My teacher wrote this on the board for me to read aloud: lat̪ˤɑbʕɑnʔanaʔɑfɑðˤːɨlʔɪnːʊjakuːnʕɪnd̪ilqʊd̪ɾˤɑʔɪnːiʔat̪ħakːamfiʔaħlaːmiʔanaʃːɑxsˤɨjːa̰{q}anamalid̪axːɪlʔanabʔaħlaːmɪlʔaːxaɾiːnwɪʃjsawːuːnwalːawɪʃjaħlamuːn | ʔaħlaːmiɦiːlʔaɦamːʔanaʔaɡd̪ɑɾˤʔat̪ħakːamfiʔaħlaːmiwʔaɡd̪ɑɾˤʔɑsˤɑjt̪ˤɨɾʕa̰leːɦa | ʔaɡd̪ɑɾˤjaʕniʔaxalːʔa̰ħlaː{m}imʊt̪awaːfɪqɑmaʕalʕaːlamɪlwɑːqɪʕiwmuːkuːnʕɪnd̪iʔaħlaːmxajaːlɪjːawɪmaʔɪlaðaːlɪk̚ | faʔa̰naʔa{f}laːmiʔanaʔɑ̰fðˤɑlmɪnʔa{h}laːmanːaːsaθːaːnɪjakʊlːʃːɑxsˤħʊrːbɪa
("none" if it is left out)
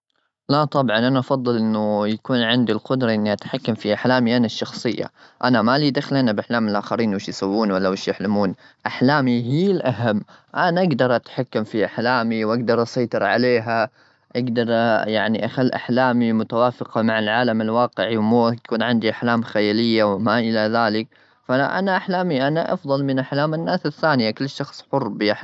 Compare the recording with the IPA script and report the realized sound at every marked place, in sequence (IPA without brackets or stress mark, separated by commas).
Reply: ʔ, m, ħ, ħ